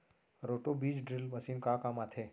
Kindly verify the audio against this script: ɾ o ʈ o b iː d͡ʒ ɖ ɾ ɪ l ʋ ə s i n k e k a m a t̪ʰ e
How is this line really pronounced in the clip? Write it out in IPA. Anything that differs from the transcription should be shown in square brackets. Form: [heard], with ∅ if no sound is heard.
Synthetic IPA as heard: ɾ o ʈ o b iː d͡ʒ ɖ ɾ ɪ l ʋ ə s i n k [a] k a m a t̪ʰ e